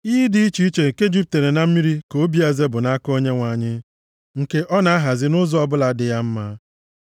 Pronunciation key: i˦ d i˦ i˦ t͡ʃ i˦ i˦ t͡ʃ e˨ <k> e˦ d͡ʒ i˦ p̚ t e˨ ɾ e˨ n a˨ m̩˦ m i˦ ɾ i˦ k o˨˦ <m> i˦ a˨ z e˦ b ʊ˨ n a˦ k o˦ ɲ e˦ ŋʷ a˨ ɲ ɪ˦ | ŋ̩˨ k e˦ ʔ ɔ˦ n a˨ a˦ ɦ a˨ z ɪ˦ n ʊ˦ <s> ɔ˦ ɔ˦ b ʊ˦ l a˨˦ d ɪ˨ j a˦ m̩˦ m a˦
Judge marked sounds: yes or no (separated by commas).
yes, no, no